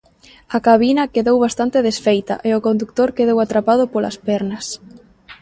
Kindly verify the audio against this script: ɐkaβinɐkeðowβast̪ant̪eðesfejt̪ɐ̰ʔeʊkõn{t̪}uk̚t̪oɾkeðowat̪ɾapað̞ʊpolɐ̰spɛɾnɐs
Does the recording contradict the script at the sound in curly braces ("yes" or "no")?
yes